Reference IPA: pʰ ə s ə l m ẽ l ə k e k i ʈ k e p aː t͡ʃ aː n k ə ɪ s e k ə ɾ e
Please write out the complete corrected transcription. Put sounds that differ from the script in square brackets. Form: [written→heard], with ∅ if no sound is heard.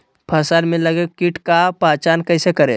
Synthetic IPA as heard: pʰ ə s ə l m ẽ l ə [k→ɡ] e k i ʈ k [e→a] p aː t͡ʃ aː n k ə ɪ s e k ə ɾ e

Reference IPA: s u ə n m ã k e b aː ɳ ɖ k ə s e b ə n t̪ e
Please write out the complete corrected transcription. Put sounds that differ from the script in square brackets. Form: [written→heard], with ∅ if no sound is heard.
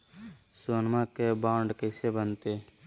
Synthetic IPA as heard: s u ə n m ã k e b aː ɳ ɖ k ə s e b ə n t̪ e

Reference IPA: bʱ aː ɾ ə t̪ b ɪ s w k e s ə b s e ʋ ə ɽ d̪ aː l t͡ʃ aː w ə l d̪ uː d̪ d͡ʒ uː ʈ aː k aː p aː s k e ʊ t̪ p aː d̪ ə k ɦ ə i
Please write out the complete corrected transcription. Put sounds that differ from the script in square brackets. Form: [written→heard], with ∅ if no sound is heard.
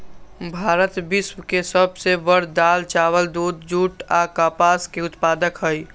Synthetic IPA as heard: bʱ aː ɾ ə t̪ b ɪ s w k e s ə b s e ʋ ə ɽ d̪ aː l t͡ʃ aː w ə l d̪ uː d̪ d͡ʒ uː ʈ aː k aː p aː s k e ʊ t̪ p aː d̪ ə k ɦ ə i

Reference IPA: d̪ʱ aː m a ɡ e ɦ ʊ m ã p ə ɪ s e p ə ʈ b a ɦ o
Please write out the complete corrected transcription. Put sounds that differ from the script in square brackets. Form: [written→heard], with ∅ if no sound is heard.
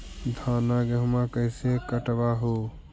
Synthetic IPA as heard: d̪ʱ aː [m→n] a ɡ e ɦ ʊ m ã [p→k] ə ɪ s e [p→k] ə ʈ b a ɦ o

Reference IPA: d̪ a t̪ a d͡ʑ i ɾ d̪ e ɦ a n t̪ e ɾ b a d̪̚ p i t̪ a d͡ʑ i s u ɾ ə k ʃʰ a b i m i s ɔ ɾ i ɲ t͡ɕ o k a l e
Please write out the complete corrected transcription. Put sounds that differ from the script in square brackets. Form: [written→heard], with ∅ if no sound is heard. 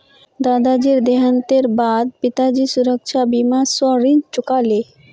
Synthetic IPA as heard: d̪ a [t̪→d̪] a d͡ʑ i ɾ d̪ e ɦ a n t̪ e ɾ b a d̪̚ p i t̪ a d͡ʑ i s u ɾ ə k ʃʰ a b i m [i→a] s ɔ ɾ i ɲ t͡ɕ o k a l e

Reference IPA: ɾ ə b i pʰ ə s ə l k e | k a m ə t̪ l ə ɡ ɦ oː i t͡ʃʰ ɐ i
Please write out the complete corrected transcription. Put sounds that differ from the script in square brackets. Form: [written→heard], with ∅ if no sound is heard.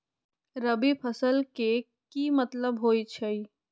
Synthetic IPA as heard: ɾ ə b i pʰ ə s ə l k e | k [a→i] m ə t̪ l ə [ɡ→b] ɦ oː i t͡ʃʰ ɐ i

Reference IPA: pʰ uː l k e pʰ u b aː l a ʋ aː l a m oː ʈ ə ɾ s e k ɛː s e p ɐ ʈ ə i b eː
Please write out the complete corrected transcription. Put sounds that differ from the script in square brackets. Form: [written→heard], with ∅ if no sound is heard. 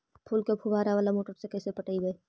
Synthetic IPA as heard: pʰ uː l k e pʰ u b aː [l→ɾ] a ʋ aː l a m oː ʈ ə ɾ s e k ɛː s e p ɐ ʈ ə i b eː

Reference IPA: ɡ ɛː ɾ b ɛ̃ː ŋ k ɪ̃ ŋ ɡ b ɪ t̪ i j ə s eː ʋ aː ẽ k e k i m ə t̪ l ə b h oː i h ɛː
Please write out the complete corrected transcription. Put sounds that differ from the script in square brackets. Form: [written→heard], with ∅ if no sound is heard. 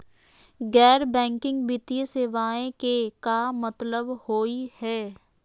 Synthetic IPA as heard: ɡ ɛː ɾ b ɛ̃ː ŋ k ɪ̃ ŋ ɡ b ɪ t̪ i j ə s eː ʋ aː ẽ k e k [i→a] m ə t̪ l ə b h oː i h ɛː

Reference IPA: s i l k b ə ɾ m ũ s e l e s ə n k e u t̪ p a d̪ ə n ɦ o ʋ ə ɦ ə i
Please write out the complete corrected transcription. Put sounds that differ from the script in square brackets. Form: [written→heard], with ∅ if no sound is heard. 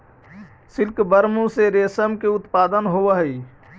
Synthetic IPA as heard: s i l k b ə ɾ m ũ s e [l→ɾ] e s ə [n→m] k e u t̪ p a d̪ ə n ɦ o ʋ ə ɦ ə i

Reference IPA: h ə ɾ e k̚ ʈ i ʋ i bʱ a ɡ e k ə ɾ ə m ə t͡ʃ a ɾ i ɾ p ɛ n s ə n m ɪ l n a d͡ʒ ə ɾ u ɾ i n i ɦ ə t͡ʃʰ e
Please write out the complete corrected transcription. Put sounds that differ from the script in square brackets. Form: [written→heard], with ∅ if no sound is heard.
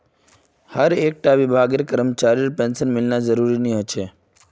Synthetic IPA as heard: h ə ɾ e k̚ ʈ [i→a] ʋ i bʱ a ɡ e k ə ɾ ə m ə t͡ʃ a ɾ i ɾ p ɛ n s ə n m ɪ l n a d͡ʒ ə ɾ u ɾ i n i ɦ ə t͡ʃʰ e

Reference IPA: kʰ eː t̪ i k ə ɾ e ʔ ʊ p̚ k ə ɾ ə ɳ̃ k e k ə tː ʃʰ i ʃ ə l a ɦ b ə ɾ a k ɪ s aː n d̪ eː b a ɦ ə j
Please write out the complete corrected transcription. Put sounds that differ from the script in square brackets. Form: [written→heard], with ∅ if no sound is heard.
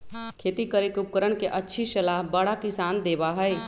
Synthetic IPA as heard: kʰ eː t̪ i k ə ɾ e [ʔ→k] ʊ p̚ k ə ɾ ə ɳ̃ k e [k→ʔ] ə tː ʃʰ i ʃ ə l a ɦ b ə [ɾ→ɽ] a k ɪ s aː n d̪ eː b a ɦ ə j

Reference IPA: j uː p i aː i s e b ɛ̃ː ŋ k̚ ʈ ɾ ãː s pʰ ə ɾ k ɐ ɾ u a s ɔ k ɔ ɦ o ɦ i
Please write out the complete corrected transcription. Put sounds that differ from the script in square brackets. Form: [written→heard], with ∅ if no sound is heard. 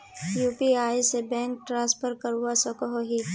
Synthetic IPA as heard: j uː p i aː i s e b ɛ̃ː ŋ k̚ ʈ ɾ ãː s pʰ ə ɾ k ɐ ɾ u a s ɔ k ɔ ɦ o ɦ i

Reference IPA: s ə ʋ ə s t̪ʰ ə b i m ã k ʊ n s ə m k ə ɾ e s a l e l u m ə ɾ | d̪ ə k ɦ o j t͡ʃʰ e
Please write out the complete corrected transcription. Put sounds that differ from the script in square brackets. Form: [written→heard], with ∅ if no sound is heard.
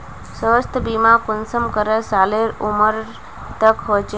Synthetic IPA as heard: s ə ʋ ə s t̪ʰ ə b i m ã k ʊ n s ə m k ə ɾ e s a l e [l→ɾ] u m ə ɾ | [d̪→t̪] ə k ɦ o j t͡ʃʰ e

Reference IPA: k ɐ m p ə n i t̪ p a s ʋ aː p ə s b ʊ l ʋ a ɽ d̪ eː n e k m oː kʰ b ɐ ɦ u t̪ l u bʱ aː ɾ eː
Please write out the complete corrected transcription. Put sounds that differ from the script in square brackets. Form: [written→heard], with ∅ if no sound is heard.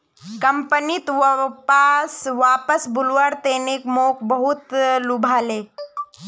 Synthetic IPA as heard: k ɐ m p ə n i t̪ p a s ʋ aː p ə s b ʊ l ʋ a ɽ [d̪→t̪] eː n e k m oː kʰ b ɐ ɦ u t̪ l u bʱ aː [ɾ→l] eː

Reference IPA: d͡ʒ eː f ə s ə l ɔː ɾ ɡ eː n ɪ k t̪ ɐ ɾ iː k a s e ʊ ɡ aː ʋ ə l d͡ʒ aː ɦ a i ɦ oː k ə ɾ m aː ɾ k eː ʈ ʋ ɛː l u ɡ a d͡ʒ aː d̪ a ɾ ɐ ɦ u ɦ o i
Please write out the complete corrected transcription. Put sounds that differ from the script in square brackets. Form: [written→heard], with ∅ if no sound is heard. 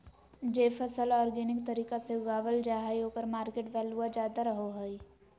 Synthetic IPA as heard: d͡ʒ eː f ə s ə l ɔː ɾ ɡ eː n ɪ k t̪ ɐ ɾ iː k a s e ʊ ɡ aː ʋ ə l d͡ʒ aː ɦ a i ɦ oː k ə ɾ m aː ɾ k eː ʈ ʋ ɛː l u [ɡ→∅] a d͡ʒ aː d̪ a ɾ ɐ ɦ [u→o] ɦ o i

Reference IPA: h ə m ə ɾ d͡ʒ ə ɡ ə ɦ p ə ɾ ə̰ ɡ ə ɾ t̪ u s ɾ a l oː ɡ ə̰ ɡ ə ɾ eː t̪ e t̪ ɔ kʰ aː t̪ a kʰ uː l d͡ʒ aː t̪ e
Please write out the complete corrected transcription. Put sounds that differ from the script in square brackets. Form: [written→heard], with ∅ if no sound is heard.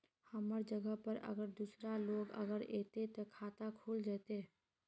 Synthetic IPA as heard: h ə m ə ɾ d͡ʒ ə ɡ ə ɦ p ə ɾ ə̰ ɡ ə ɾ [t̪→d̪] u s ɾ a l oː ɡ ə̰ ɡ ə ɾ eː t̪ e t̪ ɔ kʰ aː t̪ a kʰ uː l d͡ʒ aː t̪ e

